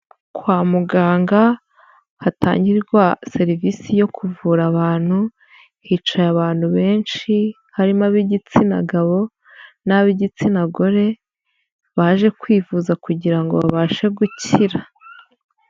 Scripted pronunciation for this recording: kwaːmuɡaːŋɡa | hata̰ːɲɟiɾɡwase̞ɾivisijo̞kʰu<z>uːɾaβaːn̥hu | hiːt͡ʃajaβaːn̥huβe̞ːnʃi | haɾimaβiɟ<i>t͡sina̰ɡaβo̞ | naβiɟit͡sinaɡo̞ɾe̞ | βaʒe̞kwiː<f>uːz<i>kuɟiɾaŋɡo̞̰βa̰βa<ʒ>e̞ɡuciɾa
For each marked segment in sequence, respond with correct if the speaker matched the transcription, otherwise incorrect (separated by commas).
incorrect, correct, incorrect, incorrect, incorrect